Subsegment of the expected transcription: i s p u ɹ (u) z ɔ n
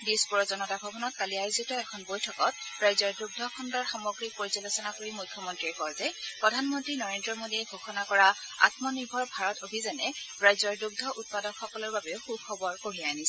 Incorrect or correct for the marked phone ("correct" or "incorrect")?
incorrect